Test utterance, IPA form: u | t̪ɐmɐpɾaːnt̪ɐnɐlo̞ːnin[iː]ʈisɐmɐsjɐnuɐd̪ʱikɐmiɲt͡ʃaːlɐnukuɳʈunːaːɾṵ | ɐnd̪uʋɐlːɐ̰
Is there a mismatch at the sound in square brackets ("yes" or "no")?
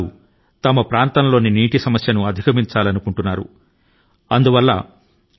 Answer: no